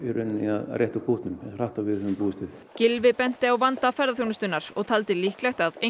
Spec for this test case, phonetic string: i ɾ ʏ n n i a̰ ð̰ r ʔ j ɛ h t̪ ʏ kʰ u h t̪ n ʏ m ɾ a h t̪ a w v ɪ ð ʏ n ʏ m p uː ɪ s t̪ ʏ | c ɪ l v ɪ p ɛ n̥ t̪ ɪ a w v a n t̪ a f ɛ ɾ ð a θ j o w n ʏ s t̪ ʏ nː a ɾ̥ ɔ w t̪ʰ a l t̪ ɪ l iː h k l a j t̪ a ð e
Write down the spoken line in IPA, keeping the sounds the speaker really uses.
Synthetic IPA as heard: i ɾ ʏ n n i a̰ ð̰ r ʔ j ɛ h t̪ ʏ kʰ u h t̪ n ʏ m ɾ a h t̪ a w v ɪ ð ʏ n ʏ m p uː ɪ s t̪ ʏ | c ɪ l v ɪ p ɛ n̥ t̪ ɪ a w v a n t̪ a f ɛ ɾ ð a θ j o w n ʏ s t̪ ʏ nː a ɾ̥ ɔ ɣ t̪ʰ a l t̪ ɪ l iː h k l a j t̪ a ð e